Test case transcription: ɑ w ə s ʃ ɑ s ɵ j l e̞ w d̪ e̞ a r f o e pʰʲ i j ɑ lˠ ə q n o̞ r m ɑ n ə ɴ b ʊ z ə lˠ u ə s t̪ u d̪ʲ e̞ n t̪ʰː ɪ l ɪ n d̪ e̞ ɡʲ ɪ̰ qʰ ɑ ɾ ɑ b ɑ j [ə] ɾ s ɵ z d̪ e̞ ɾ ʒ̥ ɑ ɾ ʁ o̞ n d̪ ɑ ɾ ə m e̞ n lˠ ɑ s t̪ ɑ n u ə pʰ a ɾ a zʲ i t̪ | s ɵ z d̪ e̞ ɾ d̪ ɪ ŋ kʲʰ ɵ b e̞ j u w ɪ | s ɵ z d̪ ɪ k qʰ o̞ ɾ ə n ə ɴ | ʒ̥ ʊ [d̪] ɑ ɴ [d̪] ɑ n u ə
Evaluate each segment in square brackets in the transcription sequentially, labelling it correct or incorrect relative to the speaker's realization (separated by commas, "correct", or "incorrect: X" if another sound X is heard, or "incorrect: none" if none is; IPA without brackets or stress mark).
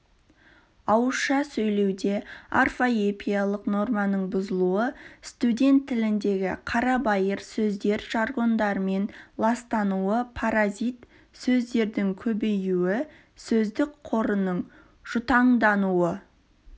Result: correct, incorrect: t̪, correct